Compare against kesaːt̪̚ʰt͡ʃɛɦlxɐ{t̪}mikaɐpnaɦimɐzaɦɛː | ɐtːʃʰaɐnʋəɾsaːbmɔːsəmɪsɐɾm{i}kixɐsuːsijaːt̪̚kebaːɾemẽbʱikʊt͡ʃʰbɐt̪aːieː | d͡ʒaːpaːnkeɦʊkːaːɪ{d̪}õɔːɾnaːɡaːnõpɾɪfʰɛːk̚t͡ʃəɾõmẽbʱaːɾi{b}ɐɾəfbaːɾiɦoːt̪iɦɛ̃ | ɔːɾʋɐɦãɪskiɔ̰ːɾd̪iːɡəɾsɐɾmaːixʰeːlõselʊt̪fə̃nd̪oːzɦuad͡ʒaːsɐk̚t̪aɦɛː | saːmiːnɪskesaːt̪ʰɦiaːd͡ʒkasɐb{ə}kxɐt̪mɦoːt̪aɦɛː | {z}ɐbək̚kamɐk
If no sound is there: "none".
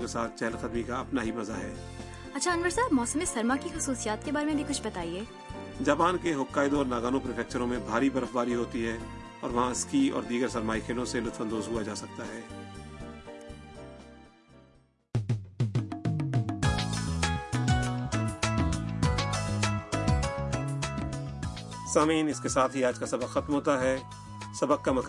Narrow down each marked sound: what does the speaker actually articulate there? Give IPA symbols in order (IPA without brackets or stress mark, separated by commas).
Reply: d̪, a, d̪, b, ə, s